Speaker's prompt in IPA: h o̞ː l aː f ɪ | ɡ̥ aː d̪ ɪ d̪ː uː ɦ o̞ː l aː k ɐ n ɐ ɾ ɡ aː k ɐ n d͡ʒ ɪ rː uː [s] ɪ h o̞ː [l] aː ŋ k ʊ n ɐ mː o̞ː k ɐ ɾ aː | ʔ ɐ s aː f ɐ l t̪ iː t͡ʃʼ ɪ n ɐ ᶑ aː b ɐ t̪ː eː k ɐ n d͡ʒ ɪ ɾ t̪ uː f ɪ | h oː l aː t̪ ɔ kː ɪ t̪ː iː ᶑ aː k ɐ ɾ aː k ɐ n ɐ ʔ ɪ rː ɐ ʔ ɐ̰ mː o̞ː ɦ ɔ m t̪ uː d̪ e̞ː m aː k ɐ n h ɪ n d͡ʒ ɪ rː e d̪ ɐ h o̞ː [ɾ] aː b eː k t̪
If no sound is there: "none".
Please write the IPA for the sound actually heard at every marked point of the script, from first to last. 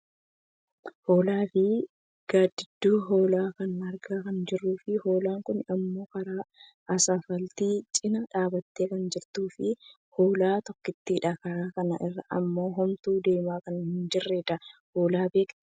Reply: f, l, l

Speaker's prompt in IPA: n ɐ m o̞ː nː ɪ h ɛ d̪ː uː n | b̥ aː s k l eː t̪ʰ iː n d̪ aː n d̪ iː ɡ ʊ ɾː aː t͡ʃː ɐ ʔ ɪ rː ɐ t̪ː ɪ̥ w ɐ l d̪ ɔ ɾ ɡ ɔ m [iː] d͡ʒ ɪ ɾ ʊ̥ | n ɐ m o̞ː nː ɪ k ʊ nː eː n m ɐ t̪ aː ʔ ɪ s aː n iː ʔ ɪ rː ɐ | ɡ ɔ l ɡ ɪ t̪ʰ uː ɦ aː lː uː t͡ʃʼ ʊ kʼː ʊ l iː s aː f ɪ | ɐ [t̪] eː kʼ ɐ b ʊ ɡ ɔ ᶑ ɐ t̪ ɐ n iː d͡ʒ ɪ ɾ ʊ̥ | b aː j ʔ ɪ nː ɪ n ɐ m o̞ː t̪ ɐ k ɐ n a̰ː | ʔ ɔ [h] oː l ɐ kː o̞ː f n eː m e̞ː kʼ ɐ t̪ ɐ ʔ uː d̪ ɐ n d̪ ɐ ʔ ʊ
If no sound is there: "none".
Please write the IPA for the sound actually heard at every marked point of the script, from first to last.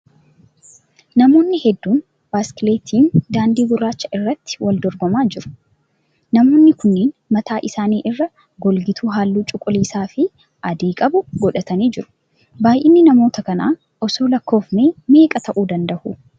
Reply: aː, d̪, s

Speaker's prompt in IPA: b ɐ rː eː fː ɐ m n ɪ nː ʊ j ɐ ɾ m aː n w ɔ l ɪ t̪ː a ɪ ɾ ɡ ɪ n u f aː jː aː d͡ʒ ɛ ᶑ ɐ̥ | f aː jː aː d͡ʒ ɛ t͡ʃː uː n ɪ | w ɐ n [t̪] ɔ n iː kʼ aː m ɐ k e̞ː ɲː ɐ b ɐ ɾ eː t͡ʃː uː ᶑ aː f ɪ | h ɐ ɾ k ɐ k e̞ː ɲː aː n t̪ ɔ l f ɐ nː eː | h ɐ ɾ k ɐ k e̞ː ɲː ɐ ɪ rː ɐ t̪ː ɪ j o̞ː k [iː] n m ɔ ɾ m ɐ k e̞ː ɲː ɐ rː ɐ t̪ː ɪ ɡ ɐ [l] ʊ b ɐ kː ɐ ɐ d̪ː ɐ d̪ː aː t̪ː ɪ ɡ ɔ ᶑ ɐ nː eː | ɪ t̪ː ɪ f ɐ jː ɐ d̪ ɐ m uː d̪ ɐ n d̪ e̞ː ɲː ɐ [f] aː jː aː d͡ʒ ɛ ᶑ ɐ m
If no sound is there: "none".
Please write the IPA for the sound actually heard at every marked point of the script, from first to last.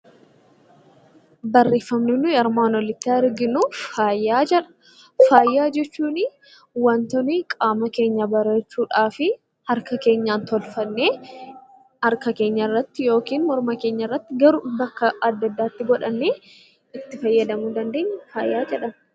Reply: t̪, iː, ɾ, f

